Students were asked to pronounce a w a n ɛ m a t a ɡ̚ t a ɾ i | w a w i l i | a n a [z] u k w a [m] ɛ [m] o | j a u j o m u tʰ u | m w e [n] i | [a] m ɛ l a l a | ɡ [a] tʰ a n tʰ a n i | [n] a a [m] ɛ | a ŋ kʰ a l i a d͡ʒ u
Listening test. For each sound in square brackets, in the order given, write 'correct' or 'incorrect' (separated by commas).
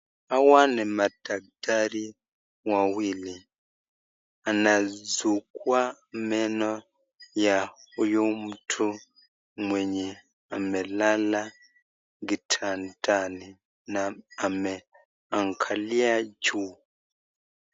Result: correct, correct, incorrect, incorrect, correct, incorrect, correct, correct